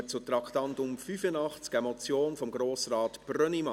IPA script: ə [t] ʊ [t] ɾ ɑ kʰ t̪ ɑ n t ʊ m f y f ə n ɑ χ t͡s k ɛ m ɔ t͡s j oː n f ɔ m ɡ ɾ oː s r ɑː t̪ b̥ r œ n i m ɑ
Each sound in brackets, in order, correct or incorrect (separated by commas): incorrect, correct